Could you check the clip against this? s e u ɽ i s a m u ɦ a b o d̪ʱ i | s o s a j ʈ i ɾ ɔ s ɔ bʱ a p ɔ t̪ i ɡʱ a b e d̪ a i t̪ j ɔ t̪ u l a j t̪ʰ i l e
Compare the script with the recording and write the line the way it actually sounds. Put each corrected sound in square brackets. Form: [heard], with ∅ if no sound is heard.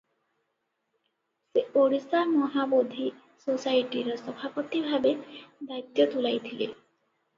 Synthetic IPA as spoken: s e [o] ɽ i s a m [ɔ] ɦ a b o d̪ʱ i | s o s a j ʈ i ɾ ɔ s ɔ bʱ a p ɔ t̪ i [bʱ] a b e d̪ a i t̪ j ɔ t̪ u l a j t̪ʰ i l e